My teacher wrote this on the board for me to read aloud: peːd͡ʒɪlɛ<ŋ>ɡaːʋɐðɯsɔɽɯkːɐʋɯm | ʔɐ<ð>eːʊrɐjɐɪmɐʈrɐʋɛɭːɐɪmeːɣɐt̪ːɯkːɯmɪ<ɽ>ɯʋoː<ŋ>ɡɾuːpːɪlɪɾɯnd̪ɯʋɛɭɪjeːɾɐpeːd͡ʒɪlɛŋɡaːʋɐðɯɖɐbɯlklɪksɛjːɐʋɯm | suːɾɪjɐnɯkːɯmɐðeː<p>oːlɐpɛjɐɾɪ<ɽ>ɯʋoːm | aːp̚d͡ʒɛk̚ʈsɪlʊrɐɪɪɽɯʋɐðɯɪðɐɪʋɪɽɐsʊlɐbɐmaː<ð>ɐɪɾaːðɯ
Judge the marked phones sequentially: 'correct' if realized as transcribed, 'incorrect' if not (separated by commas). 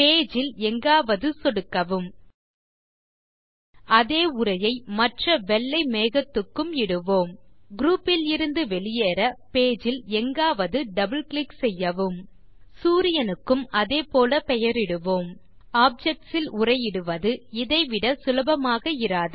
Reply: correct, correct, correct, incorrect, correct, correct, incorrect